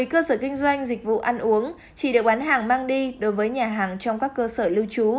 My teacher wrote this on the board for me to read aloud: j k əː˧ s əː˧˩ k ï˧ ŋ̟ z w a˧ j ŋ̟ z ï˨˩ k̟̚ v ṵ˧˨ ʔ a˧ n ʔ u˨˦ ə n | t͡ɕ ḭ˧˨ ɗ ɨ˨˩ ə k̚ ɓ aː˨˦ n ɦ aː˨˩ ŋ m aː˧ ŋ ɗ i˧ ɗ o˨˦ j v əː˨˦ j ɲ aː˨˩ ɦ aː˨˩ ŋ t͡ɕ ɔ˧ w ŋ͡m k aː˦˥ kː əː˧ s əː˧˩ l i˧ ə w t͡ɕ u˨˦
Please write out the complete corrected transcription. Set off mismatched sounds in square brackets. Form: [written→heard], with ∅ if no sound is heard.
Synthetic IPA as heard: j k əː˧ s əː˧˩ k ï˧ ŋ̟ z w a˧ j ŋ̟ z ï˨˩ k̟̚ v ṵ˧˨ ʔ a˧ n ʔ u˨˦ ə [n→ŋ] | t͡ɕ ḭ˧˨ ɗ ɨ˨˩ ə k̚ ɓ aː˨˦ n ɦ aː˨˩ ŋ m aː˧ ŋ ɗ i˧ ɗ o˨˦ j v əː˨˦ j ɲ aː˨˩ ɦ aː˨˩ ŋ t͡ɕ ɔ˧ w ŋ͡m k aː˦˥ kː əː˧ s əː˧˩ l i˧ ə w t͡ɕ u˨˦